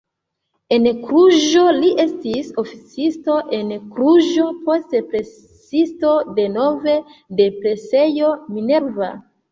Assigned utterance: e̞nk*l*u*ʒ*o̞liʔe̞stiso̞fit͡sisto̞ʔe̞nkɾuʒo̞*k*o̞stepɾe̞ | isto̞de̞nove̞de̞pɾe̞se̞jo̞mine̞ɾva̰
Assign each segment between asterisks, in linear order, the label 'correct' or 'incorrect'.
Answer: incorrect: ɾ, correct, incorrect: p

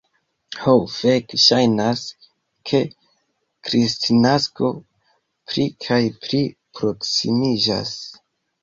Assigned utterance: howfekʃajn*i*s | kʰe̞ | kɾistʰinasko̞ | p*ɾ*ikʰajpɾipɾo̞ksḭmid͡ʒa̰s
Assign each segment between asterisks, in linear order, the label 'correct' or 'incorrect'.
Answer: incorrect: a, correct

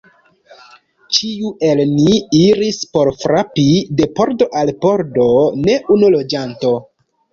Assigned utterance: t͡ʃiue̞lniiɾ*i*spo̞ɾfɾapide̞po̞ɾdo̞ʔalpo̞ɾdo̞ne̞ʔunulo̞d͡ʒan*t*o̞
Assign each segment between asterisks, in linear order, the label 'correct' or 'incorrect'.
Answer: correct, correct

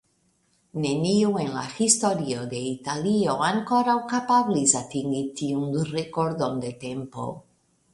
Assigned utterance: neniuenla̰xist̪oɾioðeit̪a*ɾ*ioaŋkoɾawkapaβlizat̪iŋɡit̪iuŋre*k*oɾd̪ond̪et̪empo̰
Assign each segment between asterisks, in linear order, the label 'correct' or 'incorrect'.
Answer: incorrect: l, correct

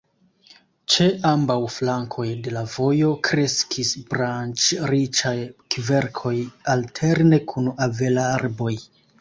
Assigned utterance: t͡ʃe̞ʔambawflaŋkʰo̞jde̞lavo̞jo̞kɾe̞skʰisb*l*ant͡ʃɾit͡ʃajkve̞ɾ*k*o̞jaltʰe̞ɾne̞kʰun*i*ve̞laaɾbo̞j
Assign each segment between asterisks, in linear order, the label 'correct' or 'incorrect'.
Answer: incorrect: ɾ, incorrect: kʰ, incorrect: a

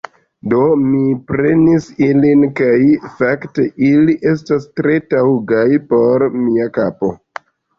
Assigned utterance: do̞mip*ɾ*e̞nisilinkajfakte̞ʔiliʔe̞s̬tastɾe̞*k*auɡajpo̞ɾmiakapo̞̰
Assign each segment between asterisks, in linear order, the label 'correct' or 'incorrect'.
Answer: correct, incorrect: t

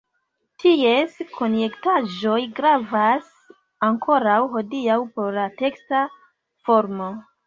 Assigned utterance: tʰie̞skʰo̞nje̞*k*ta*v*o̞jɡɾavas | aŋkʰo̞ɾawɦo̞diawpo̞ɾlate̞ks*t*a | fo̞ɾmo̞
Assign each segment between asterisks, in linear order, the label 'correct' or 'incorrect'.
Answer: correct, incorrect: ʒ, correct

